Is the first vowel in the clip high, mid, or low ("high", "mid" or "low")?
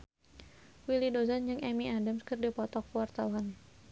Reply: high